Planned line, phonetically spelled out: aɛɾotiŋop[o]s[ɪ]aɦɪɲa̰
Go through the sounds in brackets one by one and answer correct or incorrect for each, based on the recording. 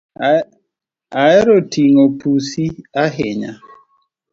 incorrect: u, incorrect: i

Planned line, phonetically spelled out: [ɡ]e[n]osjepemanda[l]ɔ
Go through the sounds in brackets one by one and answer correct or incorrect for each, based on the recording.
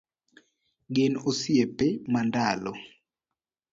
correct, correct, correct

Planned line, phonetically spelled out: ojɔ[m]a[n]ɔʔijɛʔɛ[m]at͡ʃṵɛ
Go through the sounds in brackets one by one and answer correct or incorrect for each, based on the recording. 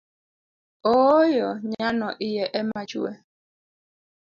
incorrect: ɲ, correct, correct

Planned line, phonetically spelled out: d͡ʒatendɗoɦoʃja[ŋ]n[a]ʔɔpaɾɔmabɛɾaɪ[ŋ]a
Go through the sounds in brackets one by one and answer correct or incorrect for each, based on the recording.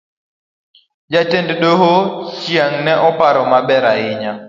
correct, incorrect: ɛ, incorrect: ɲ

